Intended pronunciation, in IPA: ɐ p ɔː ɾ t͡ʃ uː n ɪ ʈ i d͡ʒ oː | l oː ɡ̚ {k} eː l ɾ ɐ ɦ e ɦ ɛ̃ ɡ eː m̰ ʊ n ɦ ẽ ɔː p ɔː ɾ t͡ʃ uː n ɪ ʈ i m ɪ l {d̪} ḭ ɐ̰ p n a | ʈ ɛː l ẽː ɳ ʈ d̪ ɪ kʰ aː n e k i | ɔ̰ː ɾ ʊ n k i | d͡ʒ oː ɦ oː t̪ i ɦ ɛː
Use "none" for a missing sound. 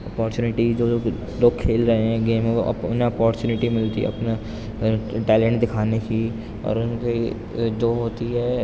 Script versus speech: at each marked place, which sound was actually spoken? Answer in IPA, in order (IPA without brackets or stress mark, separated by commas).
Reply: kʰ, t̪